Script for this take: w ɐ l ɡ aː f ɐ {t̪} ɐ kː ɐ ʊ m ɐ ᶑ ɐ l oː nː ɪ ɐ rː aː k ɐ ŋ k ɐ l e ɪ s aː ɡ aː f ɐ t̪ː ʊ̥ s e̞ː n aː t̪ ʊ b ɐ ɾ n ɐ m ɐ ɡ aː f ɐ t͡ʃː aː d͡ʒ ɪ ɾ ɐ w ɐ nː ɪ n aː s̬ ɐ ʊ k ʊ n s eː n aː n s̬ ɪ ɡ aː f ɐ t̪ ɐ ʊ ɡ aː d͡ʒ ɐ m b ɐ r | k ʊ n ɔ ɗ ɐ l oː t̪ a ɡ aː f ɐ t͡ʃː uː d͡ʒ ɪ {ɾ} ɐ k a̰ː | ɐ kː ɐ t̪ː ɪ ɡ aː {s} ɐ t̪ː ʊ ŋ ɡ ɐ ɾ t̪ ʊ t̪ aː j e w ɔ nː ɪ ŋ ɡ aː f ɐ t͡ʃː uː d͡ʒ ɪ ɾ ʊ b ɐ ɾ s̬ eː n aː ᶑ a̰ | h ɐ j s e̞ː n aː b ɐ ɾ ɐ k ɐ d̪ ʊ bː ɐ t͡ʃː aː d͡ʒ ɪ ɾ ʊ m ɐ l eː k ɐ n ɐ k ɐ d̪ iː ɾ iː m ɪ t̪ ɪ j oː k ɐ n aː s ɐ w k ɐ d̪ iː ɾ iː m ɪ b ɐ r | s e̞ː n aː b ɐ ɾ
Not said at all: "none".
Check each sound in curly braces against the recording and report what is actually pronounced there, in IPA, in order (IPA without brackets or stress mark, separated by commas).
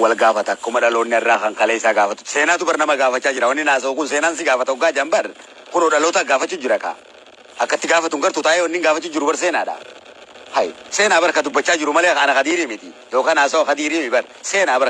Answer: t̪, ɾ, f